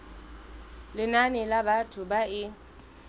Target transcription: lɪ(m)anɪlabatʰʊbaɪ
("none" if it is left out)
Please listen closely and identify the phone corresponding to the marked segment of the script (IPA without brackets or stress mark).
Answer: n